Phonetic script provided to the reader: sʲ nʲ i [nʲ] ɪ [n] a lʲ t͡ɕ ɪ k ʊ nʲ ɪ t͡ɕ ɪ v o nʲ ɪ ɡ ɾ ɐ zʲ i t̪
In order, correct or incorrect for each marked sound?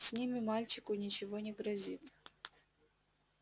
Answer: incorrect: mʲ, incorrect: m

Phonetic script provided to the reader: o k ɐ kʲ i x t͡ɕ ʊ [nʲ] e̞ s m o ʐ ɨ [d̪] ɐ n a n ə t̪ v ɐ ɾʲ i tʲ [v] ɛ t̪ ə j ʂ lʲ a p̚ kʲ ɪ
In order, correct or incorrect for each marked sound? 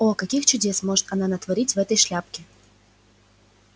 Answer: incorrect: dʲ, incorrect: t̪, correct

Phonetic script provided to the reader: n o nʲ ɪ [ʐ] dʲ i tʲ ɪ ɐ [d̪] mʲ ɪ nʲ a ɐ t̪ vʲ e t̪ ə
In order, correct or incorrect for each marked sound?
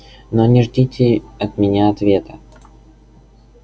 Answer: correct, incorrect: t̪

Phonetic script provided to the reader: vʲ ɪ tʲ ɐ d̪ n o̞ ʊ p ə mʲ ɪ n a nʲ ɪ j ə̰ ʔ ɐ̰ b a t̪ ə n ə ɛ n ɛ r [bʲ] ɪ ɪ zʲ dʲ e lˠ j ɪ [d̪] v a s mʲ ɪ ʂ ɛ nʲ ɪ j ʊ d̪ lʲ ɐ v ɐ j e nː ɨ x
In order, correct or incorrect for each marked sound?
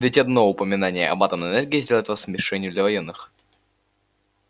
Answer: incorrect: ɡʲ, incorrect: t̪

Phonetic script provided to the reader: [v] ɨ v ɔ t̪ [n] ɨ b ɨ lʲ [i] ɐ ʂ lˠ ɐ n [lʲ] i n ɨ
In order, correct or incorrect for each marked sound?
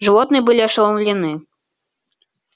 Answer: incorrect: ʐ, correct, correct, correct

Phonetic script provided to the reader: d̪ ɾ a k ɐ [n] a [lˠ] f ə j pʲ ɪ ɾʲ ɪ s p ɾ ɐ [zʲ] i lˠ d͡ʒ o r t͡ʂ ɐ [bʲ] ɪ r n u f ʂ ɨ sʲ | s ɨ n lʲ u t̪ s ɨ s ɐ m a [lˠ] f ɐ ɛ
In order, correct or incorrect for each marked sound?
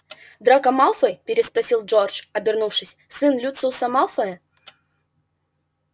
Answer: incorrect: m, correct, incorrect: sʲ, correct, correct

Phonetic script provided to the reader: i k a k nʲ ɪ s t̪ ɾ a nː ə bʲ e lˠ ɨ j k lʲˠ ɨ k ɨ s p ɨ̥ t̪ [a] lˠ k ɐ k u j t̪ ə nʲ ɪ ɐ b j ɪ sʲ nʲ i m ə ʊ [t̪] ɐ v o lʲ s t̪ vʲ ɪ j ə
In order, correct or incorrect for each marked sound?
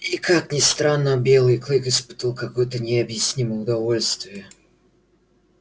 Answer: incorrect: ə, incorrect: d̪

